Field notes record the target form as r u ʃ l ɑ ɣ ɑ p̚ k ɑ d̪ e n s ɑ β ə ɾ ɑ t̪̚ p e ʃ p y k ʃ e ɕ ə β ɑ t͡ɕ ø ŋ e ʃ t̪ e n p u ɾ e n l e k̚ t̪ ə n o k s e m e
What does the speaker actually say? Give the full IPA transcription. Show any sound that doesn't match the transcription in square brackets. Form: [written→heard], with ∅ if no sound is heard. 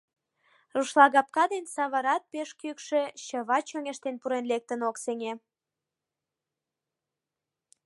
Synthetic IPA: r u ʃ l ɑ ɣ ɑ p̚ k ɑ d̪ e n s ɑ β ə ɾ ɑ t̪̚ p e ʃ [p→k] y k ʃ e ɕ ə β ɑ t͡ɕ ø ŋ e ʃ t̪ e n p u ɾ e n l e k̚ t̪ ə n o k s e [m→ŋ] e